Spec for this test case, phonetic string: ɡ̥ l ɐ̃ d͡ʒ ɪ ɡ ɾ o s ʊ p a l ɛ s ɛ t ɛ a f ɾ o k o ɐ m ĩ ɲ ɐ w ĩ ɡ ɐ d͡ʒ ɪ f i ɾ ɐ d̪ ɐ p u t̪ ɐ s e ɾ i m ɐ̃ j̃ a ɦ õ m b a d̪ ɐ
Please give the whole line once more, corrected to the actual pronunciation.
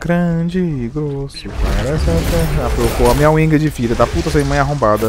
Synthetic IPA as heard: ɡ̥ ɾ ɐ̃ d͡ʒ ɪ ɡ ɾ o s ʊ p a ɾ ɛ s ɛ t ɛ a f ɾ o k o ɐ m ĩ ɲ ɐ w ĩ ɡ ɐ d͡ʒ ɪ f i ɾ ɐ d̪ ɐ p u t̪ ɐ s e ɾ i m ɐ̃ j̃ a ɦ õ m b a d̪ ɐ